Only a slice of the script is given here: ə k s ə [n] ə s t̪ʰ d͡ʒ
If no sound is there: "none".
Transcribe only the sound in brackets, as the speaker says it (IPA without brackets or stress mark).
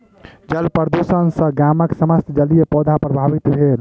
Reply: m